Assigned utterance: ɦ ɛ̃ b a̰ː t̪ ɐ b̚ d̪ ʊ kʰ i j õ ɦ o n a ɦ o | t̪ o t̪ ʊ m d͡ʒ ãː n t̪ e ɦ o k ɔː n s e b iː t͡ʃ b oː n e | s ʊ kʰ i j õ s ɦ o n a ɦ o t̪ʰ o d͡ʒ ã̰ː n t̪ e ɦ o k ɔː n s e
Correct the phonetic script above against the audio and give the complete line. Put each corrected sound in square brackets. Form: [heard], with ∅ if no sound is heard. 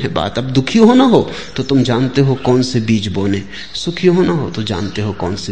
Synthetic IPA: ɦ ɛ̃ b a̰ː t̪ ɐ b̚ d̪ ʊ kʰ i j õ ɦ o n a ɦ o | t̪ o t̪ ʊ m d͡ʒ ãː n t̪ e ɦ o k ɔː n s e b iː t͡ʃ b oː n e | s ʊ kʰ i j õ [∅] ɦ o n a ɦ o [t̪] o d͡ʒ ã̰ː n t̪ e ɦ o k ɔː n s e